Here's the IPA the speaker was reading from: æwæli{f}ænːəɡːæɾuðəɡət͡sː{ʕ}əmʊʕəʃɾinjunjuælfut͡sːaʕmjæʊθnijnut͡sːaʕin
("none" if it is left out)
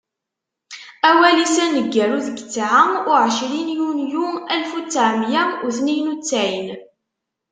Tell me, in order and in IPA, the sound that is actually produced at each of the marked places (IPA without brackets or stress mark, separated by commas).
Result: s, ʕ